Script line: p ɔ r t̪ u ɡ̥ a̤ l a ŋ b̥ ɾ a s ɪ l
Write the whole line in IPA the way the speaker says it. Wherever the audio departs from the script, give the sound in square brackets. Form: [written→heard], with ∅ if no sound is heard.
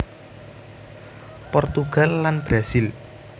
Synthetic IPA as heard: p ɔ r t̪ u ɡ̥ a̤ [l→lː] a [ŋ→n] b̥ ɾ a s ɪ l